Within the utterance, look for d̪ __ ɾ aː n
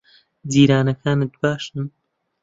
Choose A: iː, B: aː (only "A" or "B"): A